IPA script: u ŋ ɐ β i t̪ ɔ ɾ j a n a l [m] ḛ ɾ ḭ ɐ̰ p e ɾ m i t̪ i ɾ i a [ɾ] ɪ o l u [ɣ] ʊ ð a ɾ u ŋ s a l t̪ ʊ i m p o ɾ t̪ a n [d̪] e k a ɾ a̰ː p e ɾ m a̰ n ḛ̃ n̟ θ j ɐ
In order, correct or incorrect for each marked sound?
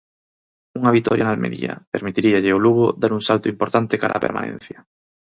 correct, incorrect, correct, incorrect

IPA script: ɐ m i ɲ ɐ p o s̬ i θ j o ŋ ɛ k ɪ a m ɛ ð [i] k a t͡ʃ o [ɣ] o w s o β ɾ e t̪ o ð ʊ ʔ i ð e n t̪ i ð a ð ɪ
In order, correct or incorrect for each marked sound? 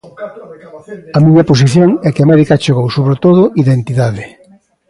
correct, correct

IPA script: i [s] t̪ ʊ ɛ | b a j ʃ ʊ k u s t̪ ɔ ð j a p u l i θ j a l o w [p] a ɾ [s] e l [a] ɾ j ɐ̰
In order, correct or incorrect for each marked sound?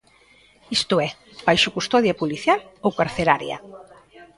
correct, incorrect, incorrect, correct

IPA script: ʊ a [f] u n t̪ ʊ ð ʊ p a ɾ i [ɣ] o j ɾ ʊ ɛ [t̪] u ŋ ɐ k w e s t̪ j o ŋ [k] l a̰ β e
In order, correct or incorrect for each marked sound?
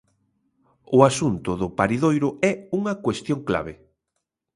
incorrect, incorrect, incorrect, correct

